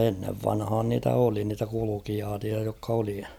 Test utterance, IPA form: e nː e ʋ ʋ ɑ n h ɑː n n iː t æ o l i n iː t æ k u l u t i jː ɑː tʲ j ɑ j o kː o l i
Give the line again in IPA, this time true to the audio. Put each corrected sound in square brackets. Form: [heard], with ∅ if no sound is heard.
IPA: e nː e ʋ ʋ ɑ n h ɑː n n iː t æ o l i n iː t æ k u l u [k] i [j] ɑː tʲ [i] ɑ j o kː o l i